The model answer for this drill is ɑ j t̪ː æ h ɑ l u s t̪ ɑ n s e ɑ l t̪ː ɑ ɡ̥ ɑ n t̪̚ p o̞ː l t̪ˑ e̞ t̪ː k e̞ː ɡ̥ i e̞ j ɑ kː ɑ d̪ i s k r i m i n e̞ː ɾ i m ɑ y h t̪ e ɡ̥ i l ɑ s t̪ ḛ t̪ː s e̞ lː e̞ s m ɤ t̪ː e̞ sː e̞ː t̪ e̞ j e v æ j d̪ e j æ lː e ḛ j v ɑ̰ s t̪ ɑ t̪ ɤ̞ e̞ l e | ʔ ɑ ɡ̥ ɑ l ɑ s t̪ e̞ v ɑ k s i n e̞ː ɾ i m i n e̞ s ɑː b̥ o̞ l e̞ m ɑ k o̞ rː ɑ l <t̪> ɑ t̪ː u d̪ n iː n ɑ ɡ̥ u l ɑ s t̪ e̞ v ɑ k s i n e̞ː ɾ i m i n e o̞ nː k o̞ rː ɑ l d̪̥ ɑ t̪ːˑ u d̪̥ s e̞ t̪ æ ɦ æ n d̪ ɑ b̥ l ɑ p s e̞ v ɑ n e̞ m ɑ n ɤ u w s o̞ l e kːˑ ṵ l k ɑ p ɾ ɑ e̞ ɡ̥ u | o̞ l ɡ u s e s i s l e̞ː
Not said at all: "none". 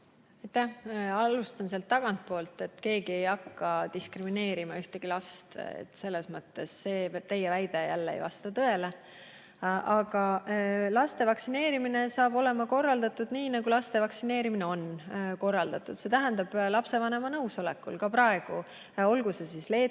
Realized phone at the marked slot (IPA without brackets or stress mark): d̪